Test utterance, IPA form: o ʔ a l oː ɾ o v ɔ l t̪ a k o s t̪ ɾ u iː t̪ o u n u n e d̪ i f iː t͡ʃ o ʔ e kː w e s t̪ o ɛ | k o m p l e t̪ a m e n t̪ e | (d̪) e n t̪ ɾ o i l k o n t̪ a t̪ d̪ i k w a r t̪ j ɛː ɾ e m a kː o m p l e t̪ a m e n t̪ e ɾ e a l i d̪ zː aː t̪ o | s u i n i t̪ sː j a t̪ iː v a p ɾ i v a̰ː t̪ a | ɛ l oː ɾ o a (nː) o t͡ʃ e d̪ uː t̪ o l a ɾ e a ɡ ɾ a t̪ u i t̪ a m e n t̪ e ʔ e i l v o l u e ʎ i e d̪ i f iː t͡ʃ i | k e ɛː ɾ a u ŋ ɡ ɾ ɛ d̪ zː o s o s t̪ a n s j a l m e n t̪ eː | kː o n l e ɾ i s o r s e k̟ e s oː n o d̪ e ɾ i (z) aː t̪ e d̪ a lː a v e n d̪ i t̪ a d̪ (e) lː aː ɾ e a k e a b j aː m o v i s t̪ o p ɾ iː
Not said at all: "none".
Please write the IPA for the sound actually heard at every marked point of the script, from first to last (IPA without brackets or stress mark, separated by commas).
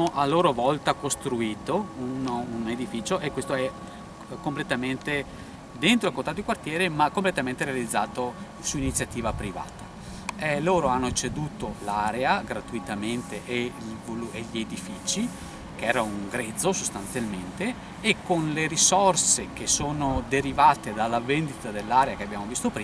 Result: d̪, nː, v, e